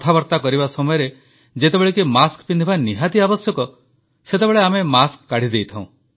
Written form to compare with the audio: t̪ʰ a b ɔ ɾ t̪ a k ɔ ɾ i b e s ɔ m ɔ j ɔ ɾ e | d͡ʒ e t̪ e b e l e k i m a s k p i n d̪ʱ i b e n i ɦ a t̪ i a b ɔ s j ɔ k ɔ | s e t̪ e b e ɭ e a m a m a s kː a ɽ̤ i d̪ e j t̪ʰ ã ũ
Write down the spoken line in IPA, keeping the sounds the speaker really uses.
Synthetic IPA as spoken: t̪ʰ a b ɔ ɾ t̪ a k ɔ ɾ i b a s ɔ m ɔ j ɔ ɾ e | d͡ʒ e t̪ e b e ɭ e k i m a s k p i n d̪ʱ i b a n i ɦ a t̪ i a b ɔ s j ɔ k ɔ | s e t̪ e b e ɭ e a m e m a s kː a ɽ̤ i d̪ e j t̪ʰ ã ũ